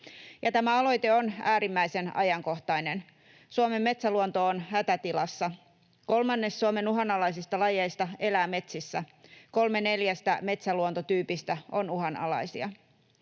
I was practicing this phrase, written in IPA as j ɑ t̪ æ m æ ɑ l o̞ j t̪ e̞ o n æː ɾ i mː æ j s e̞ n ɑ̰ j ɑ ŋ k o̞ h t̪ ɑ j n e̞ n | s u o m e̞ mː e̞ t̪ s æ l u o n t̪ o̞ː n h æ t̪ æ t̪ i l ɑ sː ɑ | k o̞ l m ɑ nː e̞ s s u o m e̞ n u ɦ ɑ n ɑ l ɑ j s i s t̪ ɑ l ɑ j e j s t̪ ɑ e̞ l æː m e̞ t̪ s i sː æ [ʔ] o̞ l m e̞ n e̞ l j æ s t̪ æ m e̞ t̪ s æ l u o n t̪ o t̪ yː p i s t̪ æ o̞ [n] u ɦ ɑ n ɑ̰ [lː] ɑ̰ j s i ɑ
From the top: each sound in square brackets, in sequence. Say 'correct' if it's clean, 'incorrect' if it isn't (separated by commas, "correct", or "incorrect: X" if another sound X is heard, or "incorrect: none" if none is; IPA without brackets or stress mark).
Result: incorrect: k, correct, incorrect: l